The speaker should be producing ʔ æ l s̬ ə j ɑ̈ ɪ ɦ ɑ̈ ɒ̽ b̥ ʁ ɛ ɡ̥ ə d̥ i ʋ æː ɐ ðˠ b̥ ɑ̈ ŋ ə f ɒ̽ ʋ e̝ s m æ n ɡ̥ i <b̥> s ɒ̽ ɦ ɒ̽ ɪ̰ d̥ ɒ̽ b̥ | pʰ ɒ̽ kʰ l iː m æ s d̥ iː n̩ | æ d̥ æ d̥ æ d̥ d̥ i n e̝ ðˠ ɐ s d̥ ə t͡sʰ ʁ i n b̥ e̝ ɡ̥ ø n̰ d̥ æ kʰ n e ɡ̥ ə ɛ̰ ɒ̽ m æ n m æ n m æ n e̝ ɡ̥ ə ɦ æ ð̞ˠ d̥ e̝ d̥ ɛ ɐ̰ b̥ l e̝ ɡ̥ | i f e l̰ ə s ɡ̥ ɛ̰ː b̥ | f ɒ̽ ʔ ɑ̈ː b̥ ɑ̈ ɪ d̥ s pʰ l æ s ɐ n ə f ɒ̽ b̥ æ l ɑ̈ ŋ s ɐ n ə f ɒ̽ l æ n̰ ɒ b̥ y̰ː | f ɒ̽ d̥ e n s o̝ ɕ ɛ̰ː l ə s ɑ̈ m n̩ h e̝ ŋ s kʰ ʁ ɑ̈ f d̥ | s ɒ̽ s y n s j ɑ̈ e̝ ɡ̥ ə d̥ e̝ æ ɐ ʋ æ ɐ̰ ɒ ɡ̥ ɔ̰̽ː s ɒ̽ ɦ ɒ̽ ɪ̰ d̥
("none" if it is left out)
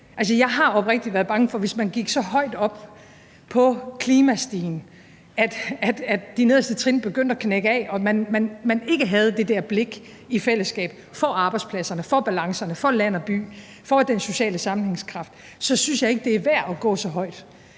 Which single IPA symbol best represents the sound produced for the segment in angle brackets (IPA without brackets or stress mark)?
ɡ̥